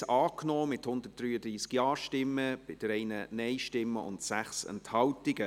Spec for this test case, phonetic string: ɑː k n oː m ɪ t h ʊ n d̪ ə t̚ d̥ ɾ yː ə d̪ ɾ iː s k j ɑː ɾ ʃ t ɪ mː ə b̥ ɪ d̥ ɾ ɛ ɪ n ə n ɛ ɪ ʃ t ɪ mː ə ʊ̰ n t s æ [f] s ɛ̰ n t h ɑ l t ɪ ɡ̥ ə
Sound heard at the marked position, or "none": χ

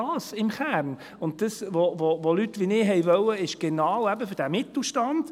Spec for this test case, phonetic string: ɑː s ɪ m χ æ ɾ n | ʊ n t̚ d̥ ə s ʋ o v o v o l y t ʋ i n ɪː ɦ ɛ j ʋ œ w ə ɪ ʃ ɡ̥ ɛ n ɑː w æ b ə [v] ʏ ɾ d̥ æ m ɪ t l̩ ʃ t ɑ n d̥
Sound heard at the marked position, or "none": f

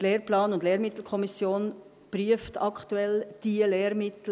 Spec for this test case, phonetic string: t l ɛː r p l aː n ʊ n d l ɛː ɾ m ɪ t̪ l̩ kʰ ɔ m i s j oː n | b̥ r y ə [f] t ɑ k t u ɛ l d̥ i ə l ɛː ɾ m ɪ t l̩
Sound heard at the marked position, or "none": f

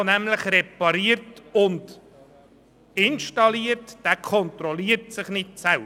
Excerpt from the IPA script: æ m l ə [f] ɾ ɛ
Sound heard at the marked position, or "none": χ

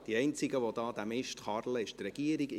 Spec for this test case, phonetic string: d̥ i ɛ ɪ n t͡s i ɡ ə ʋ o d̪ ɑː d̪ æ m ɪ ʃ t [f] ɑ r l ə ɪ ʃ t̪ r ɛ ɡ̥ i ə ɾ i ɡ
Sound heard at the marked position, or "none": χ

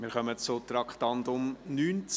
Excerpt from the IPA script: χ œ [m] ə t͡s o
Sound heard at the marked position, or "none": m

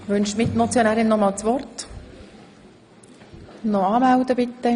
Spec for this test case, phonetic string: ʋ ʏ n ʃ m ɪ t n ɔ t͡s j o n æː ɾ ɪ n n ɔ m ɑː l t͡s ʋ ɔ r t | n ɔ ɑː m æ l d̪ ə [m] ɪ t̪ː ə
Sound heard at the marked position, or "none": b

